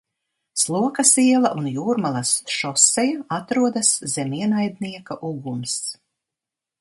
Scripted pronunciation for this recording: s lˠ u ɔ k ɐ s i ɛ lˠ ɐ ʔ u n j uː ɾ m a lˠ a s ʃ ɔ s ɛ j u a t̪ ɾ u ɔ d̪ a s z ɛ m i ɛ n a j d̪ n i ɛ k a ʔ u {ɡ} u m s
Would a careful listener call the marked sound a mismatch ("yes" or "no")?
no